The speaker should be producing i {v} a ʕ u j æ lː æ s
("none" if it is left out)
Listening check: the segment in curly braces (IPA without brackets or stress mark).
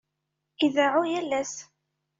ð